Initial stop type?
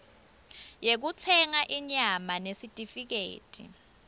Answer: plain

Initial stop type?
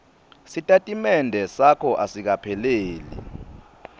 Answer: ejective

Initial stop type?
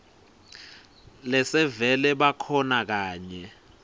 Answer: implosive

